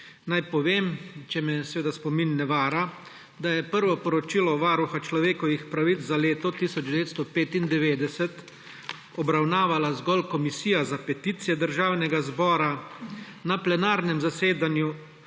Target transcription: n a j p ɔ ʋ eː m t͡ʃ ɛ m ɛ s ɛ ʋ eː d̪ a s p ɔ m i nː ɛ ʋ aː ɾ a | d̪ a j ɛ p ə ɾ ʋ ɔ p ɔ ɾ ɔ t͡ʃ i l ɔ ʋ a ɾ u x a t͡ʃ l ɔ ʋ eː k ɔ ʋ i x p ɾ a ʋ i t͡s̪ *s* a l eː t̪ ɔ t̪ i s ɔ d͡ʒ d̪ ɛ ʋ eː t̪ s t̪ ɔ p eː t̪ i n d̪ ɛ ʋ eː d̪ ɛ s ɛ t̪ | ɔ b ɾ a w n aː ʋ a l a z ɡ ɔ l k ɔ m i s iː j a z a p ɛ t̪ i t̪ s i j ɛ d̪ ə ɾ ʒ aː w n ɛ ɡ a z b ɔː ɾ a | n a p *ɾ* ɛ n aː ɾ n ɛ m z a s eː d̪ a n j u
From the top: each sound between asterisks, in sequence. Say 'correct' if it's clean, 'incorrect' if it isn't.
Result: incorrect: z, incorrect: l

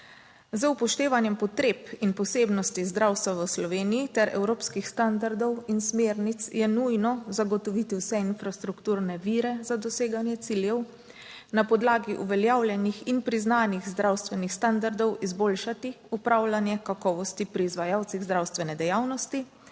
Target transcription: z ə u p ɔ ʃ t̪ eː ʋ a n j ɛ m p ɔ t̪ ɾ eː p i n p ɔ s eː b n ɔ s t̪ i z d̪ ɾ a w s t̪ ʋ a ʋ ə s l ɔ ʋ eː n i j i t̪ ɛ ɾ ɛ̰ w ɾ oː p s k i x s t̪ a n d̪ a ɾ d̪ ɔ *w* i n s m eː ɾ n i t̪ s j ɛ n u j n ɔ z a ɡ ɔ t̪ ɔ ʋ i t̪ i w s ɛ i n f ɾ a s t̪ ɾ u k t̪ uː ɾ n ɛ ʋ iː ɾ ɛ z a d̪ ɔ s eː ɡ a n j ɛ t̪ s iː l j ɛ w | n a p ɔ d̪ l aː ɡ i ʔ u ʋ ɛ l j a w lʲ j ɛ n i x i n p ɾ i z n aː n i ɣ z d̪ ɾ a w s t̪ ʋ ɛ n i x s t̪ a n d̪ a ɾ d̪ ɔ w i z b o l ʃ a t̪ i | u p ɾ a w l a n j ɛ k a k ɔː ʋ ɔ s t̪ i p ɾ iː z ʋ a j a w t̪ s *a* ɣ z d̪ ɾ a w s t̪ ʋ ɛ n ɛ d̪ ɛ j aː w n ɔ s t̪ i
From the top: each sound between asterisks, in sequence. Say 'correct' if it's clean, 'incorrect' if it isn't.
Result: correct, incorrect: i

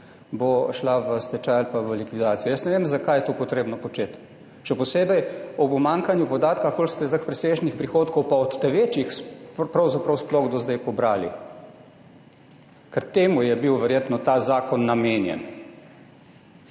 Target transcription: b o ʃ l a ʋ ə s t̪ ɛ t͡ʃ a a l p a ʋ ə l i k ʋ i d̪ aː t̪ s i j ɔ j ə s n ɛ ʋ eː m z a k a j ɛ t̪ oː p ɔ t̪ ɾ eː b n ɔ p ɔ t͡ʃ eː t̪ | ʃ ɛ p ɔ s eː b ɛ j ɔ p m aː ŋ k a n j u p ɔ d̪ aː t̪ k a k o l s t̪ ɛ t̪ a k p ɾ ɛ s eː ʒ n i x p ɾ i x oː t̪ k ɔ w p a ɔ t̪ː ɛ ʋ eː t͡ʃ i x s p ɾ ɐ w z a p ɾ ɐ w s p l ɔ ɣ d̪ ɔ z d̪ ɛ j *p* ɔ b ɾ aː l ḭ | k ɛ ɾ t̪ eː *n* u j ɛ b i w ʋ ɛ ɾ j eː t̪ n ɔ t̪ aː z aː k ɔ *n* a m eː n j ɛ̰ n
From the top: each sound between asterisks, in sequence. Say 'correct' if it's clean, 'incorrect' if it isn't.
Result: correct, incorrect: m, incorrect: nː

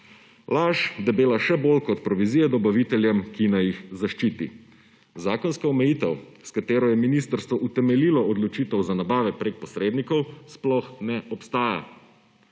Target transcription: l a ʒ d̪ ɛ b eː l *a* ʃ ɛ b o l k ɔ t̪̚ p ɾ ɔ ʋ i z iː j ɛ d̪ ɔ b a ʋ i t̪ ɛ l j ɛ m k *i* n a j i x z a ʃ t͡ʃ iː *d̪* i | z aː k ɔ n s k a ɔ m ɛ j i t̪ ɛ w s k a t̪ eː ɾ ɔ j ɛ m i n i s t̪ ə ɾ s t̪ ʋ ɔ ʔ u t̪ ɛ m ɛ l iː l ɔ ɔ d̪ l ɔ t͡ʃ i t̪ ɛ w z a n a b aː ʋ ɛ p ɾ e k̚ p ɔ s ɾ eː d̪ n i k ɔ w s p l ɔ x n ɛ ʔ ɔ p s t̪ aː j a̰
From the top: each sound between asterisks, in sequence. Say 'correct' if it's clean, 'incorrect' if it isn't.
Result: correct, correct, incorrect: t̪

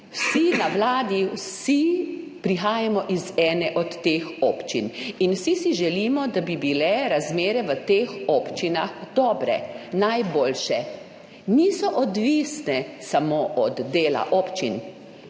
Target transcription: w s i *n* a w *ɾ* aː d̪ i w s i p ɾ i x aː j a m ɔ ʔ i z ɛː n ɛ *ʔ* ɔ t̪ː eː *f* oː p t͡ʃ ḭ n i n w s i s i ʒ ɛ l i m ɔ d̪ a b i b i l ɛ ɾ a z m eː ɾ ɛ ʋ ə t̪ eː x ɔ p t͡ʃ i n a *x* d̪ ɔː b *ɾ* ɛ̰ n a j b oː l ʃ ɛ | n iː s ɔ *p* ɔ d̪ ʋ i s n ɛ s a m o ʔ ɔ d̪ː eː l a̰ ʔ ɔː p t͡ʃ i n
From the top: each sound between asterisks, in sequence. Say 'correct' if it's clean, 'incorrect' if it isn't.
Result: correct, incorrect: l, correct, incorrect: x, correct, correct, incorrect: ʔ

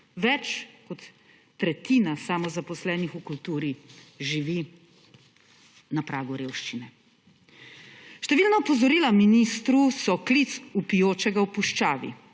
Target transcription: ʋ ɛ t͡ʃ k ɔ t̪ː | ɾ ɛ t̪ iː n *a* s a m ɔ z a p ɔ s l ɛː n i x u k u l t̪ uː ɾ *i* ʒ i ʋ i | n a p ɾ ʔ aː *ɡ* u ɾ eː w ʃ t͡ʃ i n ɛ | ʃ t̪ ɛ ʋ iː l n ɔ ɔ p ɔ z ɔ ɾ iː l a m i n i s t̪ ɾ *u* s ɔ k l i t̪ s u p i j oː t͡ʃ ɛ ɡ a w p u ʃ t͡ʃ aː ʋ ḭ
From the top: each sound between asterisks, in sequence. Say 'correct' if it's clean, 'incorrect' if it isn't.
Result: correct, correct, correct, correct

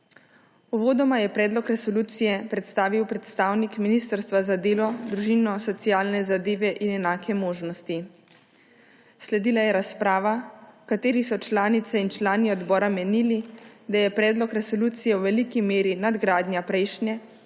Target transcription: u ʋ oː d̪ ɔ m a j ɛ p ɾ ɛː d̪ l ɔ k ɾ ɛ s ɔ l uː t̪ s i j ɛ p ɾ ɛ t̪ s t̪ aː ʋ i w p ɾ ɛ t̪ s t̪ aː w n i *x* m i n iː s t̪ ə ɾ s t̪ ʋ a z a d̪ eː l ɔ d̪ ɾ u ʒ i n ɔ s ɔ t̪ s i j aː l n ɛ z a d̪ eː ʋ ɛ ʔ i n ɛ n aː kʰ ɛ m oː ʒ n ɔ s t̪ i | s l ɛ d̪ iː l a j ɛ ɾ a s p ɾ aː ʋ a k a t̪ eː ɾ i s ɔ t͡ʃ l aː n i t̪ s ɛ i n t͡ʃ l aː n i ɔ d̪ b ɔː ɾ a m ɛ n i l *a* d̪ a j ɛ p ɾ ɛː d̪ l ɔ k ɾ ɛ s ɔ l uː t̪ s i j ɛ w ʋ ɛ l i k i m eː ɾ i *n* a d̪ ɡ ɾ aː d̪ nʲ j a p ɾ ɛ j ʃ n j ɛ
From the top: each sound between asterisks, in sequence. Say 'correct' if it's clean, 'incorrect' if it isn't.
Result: incorrect: k, incorrect: i, correct

